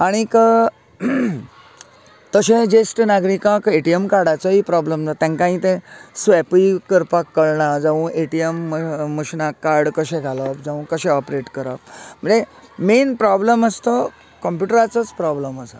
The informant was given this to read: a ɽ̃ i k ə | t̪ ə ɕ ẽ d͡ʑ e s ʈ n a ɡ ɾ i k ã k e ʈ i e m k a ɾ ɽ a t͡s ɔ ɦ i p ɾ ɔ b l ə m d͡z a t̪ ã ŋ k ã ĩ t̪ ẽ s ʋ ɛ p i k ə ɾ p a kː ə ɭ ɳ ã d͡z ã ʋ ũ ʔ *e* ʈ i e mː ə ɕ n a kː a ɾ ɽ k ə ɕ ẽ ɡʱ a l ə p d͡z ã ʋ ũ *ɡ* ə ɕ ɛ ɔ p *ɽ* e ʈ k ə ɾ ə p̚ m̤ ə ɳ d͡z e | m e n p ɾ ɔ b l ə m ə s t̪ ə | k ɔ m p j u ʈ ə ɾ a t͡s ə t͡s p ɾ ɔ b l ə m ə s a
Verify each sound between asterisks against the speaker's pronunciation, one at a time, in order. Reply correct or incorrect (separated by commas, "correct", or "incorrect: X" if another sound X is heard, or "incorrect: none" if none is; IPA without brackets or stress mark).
correct, incorrect: k, incorrect: ɾ